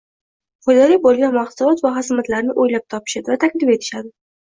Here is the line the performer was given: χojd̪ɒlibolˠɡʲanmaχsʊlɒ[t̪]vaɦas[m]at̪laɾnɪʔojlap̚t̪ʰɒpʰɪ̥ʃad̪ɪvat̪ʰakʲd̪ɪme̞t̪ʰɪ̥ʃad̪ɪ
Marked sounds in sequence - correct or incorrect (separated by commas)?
correct, correct